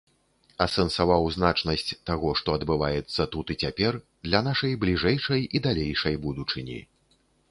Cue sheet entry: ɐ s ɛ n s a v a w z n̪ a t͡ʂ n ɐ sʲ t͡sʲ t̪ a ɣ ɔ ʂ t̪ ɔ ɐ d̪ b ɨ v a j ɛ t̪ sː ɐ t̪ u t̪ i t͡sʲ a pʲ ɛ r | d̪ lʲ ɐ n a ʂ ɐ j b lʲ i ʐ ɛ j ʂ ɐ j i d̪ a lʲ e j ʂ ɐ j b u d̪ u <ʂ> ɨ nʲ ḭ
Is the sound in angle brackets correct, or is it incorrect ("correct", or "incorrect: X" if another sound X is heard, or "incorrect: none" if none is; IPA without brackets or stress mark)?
incorrect: t͡ʂ